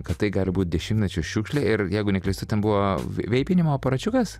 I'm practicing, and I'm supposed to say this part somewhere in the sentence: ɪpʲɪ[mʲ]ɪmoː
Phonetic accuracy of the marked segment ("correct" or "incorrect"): incorrect